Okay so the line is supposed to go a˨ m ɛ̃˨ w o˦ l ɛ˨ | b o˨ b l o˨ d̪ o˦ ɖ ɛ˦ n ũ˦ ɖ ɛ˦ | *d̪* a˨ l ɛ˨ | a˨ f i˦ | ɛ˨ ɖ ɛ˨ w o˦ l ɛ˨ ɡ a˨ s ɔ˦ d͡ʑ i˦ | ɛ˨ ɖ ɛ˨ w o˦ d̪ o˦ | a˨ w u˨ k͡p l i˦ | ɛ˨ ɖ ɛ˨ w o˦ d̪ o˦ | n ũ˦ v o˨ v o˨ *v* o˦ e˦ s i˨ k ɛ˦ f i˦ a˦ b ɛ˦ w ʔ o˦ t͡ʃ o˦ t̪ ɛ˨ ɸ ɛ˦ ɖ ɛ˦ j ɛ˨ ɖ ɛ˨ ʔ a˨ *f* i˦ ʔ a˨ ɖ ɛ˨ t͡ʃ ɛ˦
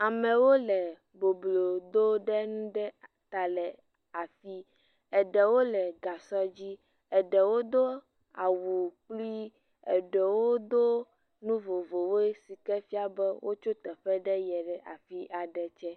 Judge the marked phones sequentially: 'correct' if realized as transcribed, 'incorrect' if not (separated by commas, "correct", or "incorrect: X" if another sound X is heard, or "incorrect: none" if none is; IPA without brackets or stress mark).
incorrect: t̪, incorrect: w, correct